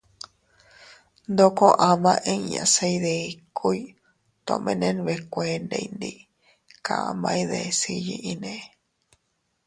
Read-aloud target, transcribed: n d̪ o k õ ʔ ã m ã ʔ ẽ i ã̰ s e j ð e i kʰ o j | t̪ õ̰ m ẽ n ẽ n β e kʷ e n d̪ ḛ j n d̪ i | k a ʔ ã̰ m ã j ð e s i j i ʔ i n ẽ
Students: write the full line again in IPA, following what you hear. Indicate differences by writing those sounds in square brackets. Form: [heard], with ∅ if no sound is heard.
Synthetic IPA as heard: n d̪ o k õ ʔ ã m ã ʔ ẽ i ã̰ s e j ð e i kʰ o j | t̪ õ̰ m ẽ n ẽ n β e kʷ e n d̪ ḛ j n d̪ i | k a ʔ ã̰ m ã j ð e s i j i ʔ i n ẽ